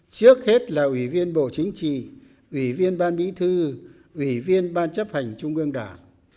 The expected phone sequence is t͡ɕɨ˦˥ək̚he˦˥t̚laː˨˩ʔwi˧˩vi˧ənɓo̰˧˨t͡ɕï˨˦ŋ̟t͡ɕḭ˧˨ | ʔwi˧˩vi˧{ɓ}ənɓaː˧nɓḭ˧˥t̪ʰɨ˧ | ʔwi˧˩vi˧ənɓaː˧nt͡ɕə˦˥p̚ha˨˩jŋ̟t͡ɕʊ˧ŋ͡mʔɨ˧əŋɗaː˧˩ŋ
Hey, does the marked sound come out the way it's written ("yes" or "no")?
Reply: no